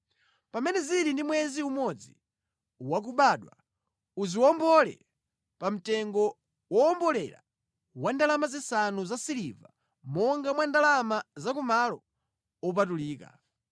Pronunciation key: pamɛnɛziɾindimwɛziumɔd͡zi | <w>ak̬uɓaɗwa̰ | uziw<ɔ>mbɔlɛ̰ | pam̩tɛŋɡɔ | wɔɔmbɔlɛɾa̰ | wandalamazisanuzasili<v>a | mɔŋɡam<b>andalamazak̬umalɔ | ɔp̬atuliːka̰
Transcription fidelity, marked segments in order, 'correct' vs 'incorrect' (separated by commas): correct, correct, correct, incorrect